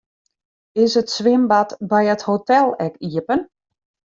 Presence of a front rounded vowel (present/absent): absent